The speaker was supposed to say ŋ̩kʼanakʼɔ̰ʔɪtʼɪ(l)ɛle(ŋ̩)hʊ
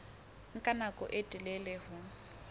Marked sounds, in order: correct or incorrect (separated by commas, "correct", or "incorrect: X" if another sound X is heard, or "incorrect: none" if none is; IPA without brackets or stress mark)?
correct, incorrect: none